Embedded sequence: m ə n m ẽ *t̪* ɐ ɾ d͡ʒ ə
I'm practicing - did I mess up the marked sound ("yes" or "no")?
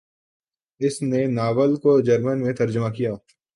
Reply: no